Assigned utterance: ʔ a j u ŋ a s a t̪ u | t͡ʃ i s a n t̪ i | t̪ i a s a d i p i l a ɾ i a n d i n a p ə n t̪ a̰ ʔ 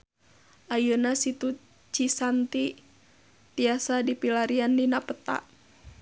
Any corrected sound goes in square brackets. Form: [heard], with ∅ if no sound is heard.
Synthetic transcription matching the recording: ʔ a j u [n] a s [i] t̪ u | t͡ʃ i s a n t̪ i | t̪ i a s a d i p i l a ɾ i a n d i n a p ə [∅] t̪ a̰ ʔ